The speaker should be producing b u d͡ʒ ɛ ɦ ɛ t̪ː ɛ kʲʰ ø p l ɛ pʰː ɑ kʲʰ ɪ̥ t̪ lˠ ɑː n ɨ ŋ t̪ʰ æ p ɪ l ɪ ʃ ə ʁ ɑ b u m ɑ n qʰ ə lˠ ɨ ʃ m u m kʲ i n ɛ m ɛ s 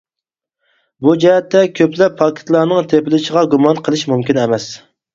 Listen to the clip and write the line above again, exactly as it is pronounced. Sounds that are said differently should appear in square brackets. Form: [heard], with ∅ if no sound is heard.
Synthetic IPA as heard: b u d͡ʒ ɛ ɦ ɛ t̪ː ɛ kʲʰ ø p l ɛ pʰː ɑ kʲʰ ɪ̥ t̪ lˠ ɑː n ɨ ŋ t̪ʰ [e] p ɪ l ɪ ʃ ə ʁ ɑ [ɡ] u m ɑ n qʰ ə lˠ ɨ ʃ m u m kʲ i n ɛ m ɛ s